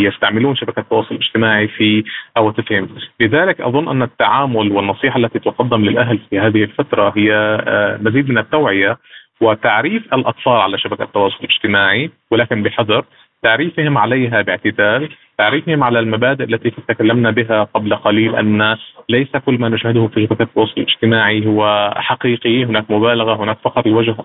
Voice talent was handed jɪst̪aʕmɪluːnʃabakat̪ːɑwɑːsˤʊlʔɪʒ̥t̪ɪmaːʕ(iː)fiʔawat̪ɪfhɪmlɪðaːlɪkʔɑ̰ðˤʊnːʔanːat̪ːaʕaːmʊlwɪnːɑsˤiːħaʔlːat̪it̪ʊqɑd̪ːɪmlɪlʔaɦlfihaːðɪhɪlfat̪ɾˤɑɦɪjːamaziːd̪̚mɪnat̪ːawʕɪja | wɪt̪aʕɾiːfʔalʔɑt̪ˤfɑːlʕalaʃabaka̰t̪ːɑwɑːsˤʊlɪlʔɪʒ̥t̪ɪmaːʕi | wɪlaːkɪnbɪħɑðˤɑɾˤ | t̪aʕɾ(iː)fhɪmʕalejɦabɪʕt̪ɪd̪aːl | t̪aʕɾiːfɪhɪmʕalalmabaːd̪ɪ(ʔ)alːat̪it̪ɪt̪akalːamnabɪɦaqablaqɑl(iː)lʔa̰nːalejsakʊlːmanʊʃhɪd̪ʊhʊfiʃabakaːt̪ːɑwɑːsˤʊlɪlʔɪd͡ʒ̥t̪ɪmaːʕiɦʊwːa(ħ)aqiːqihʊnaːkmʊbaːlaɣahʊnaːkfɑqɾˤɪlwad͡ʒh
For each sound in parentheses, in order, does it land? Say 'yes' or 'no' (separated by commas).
no, yes, yes, yes, yes